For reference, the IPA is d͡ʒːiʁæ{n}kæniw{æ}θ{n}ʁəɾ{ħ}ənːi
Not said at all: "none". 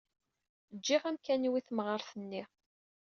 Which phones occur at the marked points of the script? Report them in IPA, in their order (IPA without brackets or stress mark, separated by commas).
m, i, m, θ